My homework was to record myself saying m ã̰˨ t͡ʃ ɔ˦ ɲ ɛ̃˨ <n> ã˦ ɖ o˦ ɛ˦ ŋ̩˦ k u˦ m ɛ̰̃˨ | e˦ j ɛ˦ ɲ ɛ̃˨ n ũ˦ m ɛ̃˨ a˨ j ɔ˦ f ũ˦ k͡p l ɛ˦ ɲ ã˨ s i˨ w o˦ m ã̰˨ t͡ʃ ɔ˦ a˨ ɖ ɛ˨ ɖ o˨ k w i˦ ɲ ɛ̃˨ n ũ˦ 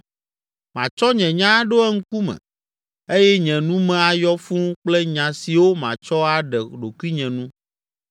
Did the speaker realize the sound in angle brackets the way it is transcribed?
no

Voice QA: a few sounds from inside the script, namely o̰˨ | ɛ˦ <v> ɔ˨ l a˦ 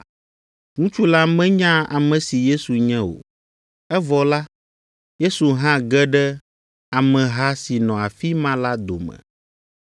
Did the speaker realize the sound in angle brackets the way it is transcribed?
yes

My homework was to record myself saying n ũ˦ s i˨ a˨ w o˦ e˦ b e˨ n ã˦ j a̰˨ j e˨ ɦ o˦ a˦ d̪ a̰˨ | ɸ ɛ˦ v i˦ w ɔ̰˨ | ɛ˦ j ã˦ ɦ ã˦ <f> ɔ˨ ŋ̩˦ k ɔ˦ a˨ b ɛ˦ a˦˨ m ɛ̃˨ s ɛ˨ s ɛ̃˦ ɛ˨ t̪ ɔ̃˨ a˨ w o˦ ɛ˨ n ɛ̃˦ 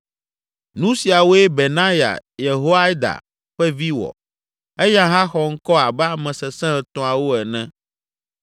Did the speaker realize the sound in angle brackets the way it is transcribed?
no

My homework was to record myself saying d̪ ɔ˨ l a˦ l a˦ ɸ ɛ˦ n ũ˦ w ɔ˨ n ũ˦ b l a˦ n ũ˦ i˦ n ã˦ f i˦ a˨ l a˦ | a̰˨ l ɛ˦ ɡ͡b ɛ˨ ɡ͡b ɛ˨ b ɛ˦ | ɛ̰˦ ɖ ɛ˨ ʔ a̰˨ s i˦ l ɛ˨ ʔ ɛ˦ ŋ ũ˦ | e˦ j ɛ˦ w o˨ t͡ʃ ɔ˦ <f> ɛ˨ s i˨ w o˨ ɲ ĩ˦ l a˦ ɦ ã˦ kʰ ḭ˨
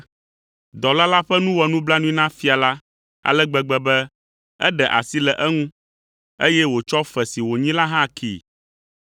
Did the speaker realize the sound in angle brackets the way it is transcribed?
yes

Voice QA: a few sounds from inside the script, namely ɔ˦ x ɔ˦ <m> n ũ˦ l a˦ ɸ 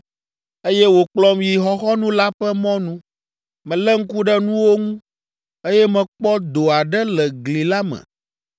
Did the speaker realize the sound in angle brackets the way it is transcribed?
no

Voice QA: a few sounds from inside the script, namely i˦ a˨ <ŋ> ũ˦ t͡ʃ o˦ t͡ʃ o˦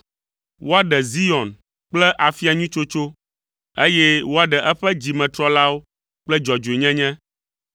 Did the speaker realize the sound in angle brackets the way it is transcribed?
no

